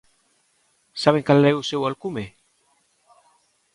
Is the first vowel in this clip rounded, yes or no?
no